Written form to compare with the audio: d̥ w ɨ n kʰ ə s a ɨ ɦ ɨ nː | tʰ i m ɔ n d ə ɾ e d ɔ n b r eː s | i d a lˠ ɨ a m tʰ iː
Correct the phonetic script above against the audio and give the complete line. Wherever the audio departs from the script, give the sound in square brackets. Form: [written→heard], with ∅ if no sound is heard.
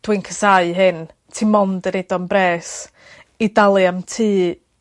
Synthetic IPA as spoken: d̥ w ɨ n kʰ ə s a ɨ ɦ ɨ [nː→n] | tʰ i m ɔ n d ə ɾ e d ɔ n b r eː s | i d a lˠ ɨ a m tʰ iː